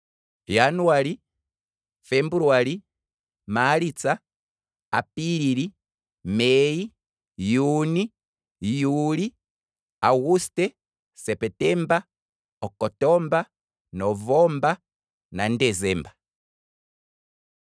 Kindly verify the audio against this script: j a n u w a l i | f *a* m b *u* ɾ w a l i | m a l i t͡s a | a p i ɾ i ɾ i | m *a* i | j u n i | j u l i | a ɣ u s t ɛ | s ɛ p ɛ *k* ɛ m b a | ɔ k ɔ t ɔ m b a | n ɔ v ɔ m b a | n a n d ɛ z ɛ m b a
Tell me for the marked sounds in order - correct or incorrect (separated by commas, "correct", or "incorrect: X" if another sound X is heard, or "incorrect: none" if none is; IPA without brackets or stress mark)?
incorrect: ɛ, correct, incorrect: ɛ, incorrect: t